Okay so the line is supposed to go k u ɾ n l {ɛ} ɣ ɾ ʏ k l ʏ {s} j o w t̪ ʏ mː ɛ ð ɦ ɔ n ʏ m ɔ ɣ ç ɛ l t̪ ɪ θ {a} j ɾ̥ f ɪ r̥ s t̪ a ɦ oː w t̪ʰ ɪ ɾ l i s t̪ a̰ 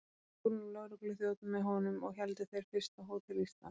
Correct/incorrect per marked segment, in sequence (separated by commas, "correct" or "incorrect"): incorrect, incorrect, incorrect